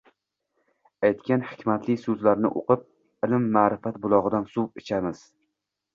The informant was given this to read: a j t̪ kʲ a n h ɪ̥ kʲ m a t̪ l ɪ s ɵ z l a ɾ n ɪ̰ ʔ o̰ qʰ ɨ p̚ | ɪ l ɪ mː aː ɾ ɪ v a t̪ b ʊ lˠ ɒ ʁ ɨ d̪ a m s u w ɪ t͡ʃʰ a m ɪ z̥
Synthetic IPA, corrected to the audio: a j t̪ kʲ a n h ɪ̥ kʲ m a t̪ l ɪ s ɵ z l a ɾ n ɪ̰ ʔ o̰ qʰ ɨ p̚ | ɪ l ɪ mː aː ɾ ɪ f a t̪ b ʊ lˠ ɒ ʁ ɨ d̪ a n s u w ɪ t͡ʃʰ a m ɪ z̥